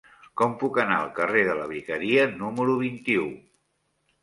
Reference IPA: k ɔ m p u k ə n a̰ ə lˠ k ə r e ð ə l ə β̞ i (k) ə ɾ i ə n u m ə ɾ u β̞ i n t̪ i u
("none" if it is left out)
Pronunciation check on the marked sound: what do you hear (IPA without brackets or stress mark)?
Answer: k